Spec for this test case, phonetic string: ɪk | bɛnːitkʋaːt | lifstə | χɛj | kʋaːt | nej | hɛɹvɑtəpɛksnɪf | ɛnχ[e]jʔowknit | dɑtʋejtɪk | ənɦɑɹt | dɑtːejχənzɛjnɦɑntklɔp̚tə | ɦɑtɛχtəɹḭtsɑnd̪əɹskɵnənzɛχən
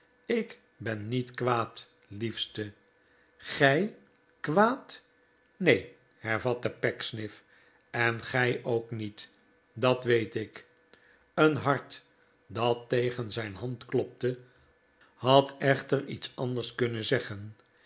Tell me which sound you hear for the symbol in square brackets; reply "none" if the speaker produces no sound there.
ɛ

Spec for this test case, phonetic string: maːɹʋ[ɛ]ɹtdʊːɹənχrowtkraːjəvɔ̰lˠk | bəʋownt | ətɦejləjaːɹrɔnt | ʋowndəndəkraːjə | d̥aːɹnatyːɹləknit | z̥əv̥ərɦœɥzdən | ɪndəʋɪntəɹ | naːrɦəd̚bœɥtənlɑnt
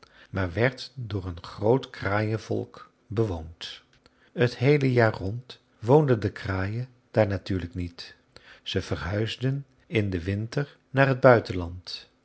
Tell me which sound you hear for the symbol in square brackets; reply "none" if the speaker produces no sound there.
ɛ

